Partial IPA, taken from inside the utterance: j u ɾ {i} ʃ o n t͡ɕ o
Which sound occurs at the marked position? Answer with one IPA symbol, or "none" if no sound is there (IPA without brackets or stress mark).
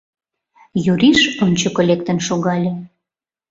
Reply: i